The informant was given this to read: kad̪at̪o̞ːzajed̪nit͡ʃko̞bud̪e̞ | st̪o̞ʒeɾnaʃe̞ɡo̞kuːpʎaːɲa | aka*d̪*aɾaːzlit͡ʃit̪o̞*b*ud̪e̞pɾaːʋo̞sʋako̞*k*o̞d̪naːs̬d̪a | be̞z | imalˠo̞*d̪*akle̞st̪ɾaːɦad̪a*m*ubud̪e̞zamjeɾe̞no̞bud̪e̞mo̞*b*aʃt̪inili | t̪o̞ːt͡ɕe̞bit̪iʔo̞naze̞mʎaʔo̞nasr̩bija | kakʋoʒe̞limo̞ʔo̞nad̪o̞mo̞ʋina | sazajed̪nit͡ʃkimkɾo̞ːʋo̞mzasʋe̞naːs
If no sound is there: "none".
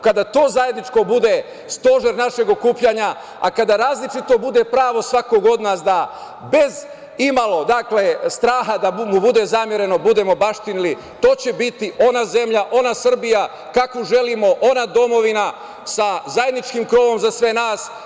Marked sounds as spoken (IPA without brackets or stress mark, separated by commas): d̪, b, ɡ, d̪, m, b